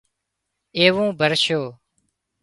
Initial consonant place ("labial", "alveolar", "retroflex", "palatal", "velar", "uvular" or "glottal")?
labial